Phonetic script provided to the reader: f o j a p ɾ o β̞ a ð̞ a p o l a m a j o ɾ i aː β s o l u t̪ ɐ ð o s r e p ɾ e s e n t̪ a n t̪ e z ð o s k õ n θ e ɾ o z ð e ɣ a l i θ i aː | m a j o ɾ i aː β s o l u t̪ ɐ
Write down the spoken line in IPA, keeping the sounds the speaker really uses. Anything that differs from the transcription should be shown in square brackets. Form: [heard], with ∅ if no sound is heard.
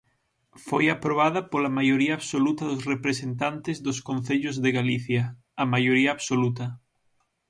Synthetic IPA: f o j a p ɾ o β̞ a ð̞ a p o l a m a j o ɾ i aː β s o l u t̪ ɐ ð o s r e p ɾ e s e n t̪ a n t̪ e z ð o s k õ n θ e [ʎ] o z ð e ɣ a l i θ [j] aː | m a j o ɾ i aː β s o l u t̪ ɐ

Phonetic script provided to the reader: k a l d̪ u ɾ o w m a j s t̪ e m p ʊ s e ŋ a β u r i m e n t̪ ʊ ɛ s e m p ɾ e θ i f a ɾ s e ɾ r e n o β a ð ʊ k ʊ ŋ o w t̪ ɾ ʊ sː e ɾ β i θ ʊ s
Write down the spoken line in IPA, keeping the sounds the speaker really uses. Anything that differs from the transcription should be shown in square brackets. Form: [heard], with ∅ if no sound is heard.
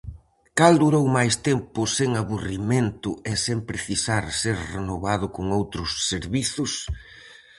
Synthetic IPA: k a l d̪ u ɾ o w m a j s t̪ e m p ʊ s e ŋ a β u r i m e n t̪ ʊ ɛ s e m p ɾ e θ i [s] a ɾ s e ɾ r e n o β a ð ʊ k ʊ ŋ o w t̪ ɾ ʊ sː e ɾ β i θ ʊ s

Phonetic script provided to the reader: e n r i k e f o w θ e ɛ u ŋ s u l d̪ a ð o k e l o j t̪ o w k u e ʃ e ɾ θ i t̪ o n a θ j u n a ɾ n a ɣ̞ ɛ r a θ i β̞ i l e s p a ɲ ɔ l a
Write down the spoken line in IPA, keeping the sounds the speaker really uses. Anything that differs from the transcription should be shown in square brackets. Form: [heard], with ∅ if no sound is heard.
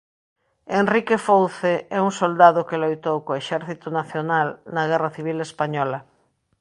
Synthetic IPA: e n r i k e f o w θ e ɛ u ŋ s [o] l d̪ a ð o k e l o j t̪ o w k [o] e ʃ [ɛ] ɾ θ i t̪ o n a θ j [o] n a [l] n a ɣ̞ ɛ r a θ i β̞ i l e s p a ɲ ɔ l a

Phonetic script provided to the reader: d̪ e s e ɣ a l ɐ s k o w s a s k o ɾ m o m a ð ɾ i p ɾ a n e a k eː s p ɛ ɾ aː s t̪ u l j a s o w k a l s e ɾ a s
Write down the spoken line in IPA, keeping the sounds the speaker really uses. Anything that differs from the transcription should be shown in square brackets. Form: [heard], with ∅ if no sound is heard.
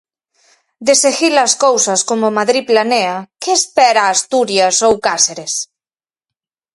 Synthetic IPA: d̪ e s e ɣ [i] l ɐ s k o w s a s k o [∅] m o m a ð ɾ i p [l] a n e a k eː s p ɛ ɾ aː s t̪ u [ɾ] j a s o w k a [∅] s e ɾ [e] s

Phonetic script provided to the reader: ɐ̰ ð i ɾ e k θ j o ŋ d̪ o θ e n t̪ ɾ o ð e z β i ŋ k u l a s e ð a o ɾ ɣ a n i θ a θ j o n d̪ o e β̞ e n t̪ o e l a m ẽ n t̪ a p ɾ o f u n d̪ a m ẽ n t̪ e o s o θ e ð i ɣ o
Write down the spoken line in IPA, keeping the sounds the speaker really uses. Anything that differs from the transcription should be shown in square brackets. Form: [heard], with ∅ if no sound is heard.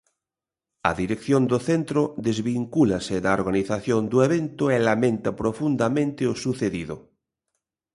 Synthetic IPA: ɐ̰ ð i ɾ e k θ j o [n] d̪ o θ e n t̪ ɾ o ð e z β i ŋ k u l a s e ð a o ɾ ɣ a n i θ a θ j o n d̪ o e β̞ e n t̪ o e l a m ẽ n t̪ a p ɾ o f u n d̪ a m ẽ n t̪ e o s [u] θ e ð i [ð] o

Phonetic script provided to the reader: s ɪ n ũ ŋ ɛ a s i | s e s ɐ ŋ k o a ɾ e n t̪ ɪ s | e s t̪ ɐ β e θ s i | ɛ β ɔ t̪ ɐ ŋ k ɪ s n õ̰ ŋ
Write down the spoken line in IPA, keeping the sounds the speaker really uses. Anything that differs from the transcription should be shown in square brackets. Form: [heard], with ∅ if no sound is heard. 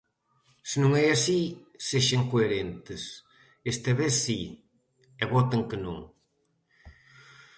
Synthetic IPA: s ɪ n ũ ŋ ɛ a s i | s e [ʃ] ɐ ŋ k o [e] ɾ e n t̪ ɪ s | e s t̪ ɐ β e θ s i | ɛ β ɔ t̪ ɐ ŋ k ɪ [∅] n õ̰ ŋ

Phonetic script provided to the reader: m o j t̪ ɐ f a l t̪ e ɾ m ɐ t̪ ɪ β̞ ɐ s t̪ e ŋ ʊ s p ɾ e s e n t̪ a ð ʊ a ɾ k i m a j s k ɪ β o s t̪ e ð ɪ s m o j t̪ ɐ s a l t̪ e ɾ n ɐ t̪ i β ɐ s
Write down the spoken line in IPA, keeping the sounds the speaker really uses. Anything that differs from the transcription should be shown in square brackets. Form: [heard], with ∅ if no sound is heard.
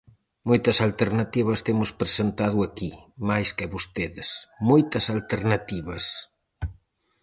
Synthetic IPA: m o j t̪ ɐ [s] a l t̪ e ɾ [n] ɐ t̪ [i] β̞ ɐ s t̪ e [m] ʊ s p ɾ e s e n t̪ a ð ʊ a [∅] k i m a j s k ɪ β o s t̪ e ð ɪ s m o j t̪ ɐ s a l t̪ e ɾ n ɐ t̪ i β ɐ s

